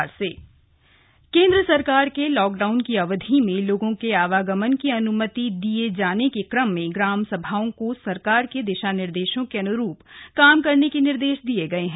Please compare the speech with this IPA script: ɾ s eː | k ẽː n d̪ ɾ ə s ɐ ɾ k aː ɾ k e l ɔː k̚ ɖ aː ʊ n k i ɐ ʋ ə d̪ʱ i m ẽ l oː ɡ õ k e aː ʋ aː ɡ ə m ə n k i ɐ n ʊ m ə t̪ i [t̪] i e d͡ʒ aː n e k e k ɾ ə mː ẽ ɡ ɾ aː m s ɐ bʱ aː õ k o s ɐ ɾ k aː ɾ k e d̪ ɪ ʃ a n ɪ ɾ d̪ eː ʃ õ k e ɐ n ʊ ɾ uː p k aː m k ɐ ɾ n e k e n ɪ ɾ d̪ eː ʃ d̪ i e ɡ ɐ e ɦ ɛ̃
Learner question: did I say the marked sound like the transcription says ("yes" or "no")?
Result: no